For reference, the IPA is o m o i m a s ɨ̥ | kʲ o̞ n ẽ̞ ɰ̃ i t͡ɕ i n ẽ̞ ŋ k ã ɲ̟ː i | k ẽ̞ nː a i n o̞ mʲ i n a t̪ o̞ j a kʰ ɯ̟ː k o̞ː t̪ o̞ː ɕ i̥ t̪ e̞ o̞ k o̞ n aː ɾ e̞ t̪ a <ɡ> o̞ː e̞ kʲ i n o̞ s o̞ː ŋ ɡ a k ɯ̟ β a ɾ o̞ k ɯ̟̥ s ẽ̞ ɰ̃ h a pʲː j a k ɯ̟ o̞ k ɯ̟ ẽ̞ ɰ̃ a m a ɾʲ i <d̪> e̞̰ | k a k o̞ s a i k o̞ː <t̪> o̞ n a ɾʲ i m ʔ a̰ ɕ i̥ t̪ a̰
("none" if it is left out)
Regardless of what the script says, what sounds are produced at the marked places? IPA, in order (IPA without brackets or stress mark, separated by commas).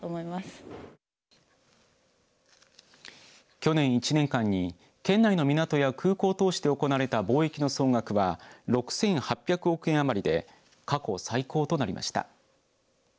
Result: b, d̪, t̪